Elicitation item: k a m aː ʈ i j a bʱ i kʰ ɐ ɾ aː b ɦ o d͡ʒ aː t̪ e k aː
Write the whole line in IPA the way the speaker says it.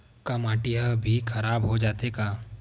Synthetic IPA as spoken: k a m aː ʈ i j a bʱ i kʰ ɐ ɾ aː b ɦ o d͡ʒ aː t̪ e k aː